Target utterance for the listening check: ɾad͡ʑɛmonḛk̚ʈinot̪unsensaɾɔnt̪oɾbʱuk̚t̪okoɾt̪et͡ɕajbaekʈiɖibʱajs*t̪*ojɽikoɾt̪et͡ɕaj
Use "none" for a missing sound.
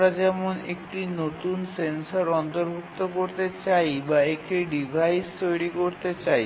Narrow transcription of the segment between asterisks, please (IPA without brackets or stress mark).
t̪